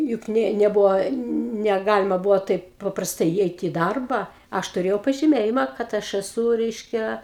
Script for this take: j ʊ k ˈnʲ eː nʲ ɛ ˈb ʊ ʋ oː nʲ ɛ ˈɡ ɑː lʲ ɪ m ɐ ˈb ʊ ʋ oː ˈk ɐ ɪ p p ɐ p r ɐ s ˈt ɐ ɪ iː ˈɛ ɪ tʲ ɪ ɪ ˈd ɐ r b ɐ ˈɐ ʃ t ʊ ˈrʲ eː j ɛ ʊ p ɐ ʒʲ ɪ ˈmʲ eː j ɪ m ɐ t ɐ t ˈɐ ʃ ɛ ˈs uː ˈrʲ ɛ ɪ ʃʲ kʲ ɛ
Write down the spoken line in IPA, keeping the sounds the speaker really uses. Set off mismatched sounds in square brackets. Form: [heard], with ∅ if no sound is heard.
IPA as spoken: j ʊ k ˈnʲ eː nʲ ɛ ˈb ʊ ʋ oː nʲ ɛ ˈɡ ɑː lʲ ɪ m ɐ ˈb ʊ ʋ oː [ˈt] ɐ ɪ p p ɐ p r ɐ s ˈt ɐ ɪ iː ˈɛ ɪ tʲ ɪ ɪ ˈd ɐ r b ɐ ˈɐ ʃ t ʊ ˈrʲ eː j ɛ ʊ p ɐ ʒʲ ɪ ˈmʲ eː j ɪ m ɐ [k] ɐ t ˈɐ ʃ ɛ ˈs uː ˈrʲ ɛ ɪ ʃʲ kʲ ɛ